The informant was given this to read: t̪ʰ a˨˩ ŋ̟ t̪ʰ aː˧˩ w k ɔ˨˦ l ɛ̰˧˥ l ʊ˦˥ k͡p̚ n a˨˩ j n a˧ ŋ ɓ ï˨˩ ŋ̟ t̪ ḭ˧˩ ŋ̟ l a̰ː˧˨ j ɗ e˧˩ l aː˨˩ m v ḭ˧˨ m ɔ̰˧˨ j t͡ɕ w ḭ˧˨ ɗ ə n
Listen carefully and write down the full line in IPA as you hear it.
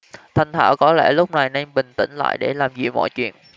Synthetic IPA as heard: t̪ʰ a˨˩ ŋ̟ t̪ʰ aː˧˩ w k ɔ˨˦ l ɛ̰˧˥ l ʊ˦˥ k͡p̚ n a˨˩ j n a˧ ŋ ɓ ï˨˩ ŋ̟ t̪ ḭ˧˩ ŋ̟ l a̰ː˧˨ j ɗ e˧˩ l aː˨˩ m z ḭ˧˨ m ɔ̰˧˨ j t͡ɕ w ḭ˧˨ ə n